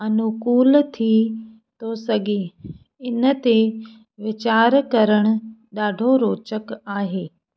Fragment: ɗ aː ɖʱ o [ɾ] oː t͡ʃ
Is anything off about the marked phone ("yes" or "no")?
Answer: no